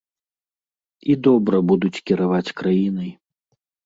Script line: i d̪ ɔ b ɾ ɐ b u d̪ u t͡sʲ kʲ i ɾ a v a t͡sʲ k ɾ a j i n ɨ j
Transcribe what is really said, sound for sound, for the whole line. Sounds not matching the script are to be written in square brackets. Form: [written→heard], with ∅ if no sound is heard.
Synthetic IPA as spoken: i d̪ ɔ b ɾ ɐ b u d̪ u t͡sʲ kʲ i ɾ a v a t͡sʲ k ɾ a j i n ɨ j